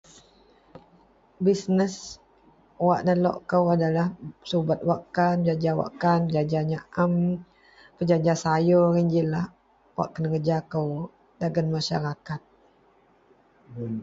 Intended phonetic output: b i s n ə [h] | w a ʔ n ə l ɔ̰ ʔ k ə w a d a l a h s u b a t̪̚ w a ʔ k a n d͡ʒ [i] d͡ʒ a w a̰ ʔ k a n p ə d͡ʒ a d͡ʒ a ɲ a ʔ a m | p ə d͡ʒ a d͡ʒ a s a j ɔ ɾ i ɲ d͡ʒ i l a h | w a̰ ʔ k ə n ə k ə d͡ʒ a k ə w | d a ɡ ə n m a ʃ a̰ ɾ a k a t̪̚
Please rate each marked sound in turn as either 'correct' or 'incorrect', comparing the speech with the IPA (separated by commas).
incorrect, incorrect